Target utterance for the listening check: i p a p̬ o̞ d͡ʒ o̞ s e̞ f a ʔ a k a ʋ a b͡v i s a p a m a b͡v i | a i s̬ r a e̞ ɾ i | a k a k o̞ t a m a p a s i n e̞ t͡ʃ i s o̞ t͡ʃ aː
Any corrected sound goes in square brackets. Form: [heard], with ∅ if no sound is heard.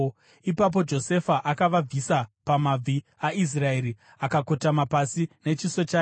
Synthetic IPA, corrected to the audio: i p a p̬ o̞ d͡ʒ o̞ s e̞ f a ʔ a k a ʋ a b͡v i s a p a m a b͡v i | a i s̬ r a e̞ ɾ i | a k a k o̞ t a m a p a s i n e̞ t͡ʃ i s o̞ t͡ʃ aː